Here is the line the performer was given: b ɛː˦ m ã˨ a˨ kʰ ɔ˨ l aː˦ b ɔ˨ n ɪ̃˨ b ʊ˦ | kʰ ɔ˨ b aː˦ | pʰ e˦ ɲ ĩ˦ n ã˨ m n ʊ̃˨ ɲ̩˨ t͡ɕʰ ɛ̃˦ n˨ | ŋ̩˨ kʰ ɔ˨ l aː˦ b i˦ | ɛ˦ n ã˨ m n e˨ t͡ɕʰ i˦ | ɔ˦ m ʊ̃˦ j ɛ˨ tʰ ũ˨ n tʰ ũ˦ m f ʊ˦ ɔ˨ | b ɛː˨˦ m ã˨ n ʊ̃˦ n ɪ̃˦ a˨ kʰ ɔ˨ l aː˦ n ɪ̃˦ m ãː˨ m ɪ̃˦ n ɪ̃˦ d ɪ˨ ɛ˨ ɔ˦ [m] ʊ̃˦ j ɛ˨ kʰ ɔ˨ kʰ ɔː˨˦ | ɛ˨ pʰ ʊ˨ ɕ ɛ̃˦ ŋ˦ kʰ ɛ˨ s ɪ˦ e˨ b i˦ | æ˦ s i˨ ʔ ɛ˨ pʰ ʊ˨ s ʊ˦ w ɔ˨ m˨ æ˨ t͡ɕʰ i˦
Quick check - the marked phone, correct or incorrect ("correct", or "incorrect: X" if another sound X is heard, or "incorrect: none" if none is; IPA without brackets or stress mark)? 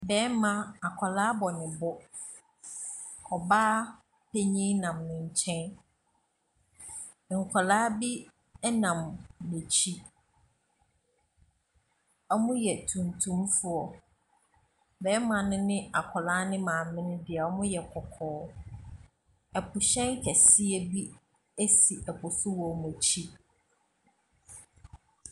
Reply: correct